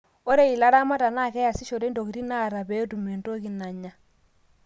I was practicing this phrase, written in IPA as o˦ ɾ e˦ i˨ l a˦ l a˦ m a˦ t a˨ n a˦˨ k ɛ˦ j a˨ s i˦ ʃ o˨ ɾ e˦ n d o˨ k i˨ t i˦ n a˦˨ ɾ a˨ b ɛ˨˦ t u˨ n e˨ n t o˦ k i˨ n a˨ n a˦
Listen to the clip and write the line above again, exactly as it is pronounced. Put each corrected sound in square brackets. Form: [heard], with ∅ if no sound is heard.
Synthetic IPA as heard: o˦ ɾ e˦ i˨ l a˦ [ɾ] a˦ m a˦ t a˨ n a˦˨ k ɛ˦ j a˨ s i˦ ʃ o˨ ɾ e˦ n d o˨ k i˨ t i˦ n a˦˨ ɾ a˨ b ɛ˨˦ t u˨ [m] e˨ n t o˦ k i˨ n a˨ [ɲ] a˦